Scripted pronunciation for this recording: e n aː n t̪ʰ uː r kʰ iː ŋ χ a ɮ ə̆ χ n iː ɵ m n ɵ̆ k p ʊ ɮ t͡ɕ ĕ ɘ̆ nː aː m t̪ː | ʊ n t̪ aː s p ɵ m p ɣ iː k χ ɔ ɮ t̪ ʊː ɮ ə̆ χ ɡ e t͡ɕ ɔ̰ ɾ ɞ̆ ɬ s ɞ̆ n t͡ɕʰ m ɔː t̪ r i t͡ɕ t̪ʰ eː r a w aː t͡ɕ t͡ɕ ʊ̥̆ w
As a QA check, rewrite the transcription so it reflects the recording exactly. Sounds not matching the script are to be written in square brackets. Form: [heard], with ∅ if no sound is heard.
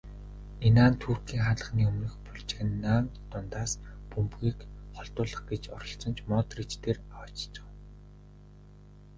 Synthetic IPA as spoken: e n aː n t̪ʰ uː r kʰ iː ŋ χ a ɮ ə̆ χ n iː ɵ m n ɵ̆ [x] p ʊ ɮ t͡ɕ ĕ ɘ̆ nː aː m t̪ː | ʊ n t̪ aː s p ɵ m p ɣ iː k χ ɔ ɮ t̪ ʊː ɮ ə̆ χ ɡ e t͡ɕ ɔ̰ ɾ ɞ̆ ɬ [t͡s] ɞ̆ n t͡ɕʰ m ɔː t̪ r i t͡ɕ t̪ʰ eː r a w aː t͡ɕ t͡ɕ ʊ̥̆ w